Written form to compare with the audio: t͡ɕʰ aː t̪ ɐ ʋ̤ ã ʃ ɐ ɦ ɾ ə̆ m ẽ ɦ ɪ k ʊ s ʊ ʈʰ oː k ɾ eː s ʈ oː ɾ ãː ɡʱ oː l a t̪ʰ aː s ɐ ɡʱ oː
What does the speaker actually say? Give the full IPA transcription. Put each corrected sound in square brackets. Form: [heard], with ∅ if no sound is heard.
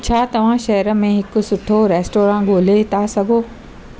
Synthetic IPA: t͡ɕʰ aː t̪ ɐ ʋ̤ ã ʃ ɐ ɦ ɾ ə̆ m ẽ ɦ ɪ k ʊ s ʊ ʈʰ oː [∅] ɾ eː s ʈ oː ɾ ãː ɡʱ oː l [e] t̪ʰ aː s ɐ ɡʱ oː

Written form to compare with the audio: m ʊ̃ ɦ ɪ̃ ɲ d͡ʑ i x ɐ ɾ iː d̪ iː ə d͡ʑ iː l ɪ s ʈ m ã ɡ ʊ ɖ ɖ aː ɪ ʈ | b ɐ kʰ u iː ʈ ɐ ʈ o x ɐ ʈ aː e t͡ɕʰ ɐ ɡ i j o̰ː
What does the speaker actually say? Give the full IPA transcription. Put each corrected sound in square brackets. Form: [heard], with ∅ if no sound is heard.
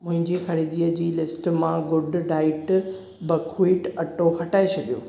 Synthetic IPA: m ʊ̃ ɦ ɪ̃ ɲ d͡ʑ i x ɐ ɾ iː d̪ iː ə d͡ʑ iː l ɪ s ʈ m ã ɡ ʊ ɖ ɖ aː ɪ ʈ | b ɐ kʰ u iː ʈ ɐ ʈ o x ɐ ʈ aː e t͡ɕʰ ɐ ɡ i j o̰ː

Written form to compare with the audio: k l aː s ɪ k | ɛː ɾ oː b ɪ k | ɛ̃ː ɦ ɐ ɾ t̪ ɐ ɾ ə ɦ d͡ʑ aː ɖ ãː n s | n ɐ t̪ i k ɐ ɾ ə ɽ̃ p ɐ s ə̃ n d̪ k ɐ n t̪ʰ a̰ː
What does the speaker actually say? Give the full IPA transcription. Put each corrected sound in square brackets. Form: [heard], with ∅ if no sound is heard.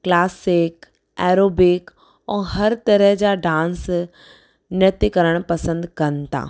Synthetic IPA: k l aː s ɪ k | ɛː ɾ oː b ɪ k | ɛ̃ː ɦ ɐ ɾ t̪ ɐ ɾ ə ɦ d͡ʑ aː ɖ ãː n s | n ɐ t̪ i k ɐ ɾ ə ɽ̃ p ɐ s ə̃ n d̪ k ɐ n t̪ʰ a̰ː

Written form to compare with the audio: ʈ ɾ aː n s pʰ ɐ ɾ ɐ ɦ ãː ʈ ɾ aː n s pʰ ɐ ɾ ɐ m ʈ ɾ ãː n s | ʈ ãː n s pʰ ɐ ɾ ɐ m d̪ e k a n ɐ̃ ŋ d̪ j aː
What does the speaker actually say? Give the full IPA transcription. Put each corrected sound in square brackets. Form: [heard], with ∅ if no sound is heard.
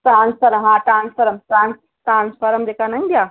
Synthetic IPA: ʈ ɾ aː n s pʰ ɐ ɾ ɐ ɦ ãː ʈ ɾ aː n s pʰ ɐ ɾ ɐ m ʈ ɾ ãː n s | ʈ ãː n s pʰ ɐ ɾ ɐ m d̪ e k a n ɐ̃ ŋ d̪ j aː

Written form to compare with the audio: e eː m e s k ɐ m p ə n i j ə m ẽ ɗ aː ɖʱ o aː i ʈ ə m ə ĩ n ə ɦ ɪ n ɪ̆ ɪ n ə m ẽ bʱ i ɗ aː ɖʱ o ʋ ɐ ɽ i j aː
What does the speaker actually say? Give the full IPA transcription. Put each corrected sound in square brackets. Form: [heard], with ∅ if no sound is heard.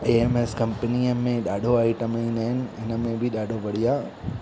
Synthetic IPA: e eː m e s k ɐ m p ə n i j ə m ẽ ɗ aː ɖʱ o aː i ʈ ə m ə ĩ n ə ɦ ɪ n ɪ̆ ɪ n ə m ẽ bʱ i ɗ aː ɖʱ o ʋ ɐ ɽ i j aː

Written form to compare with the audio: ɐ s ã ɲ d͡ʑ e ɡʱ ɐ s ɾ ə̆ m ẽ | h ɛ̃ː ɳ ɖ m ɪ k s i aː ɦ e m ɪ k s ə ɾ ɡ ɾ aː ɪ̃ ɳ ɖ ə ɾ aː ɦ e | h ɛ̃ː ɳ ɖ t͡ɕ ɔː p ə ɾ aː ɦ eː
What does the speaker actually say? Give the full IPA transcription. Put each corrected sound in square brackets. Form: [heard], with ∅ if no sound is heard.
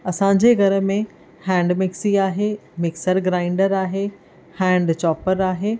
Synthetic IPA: ɐ s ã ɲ d͡ʑ e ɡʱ ɐ [∅] ɾ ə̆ m ẽ | h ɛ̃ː ɳ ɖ m ɪ k s i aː ɦ e m ɪ k s ə ɾ ɡ ɾ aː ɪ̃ ɳ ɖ ə ɾ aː ɦ e | h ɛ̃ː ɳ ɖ t͡ɕ ɔː p ə ɾ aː ɦ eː

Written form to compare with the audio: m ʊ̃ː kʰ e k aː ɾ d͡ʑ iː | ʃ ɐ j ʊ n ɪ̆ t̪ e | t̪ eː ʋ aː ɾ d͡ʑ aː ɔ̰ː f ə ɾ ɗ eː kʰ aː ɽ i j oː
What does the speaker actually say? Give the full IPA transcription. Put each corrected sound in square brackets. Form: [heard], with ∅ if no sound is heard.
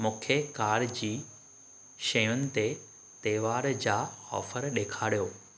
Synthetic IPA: m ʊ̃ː kʰ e k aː ɾ d͡ʑ iː | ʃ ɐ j ʊ n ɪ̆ t̪ e | t̪ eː ʋ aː ɾ d͡ʑ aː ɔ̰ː f ə ɾ ɗ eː kʰ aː ɽ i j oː

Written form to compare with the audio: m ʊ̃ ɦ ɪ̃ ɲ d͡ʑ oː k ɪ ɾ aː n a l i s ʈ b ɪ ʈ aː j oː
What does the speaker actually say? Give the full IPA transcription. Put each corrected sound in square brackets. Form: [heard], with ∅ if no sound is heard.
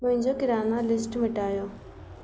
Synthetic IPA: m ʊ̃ ɦ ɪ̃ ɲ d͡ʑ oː k ɪ ɾ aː n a l [ɪ] s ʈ [m] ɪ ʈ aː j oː

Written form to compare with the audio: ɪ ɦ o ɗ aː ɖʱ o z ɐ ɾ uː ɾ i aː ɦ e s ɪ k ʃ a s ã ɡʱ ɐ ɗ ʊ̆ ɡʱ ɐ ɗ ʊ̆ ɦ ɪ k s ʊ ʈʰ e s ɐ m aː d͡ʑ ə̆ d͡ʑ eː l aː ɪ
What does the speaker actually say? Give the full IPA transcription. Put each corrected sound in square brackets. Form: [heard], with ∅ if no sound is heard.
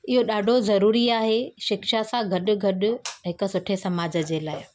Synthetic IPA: ɪ ɦ o ɗ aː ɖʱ o z ɐ ɾ uː ɾ i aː ɦ e [ʃ] ɪ k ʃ a s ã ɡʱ ɐ ɗ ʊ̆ ɡʱ ɐ ɗ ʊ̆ ɦ ɪ k s ʊ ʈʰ e s ɐ m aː d͡ʑ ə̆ d͡ʑ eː l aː ɪ

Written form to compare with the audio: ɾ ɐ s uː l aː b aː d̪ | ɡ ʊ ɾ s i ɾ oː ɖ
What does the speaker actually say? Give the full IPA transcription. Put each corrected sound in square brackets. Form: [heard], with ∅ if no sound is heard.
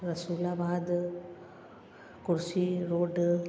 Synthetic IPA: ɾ ɐ s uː l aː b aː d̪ | [k] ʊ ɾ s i ɾ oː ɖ

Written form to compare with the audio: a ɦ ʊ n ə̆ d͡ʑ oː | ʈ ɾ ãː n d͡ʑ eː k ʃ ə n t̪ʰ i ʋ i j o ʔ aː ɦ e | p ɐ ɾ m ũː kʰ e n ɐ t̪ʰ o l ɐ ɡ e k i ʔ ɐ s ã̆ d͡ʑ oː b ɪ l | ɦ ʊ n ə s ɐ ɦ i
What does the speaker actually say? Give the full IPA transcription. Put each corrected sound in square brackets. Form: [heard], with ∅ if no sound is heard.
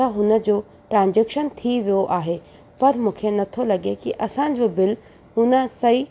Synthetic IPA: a ɦ ʊ n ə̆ d͡ʑ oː | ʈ ɾ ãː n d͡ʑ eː k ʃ ə n t̪ʰ i ʋ i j o ʔ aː ɦ e | p ɐ ɾ m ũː kʰ e n ɐ t̪ʰ o l ɐ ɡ e k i ʔ ɐ s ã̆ d͡ʑ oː b ɪ l | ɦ ʊ n ə s ɐ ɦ i

